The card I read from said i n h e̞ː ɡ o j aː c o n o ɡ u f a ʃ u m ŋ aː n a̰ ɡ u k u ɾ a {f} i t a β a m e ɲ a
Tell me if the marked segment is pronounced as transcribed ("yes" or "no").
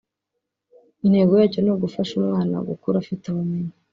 yes